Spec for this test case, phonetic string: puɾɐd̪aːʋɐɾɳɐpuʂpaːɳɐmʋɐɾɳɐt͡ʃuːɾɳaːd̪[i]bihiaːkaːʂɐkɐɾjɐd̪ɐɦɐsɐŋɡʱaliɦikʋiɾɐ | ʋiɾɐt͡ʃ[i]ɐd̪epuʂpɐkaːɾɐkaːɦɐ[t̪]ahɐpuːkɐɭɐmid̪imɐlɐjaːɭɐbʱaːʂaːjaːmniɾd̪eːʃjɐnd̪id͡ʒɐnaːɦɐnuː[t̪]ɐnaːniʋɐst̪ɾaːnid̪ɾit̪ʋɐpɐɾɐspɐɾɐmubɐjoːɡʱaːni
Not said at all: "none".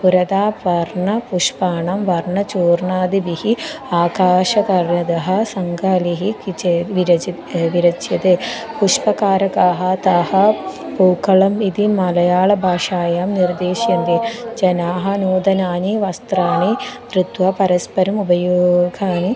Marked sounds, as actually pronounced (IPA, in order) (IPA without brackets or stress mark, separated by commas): i, j, t̪, d̪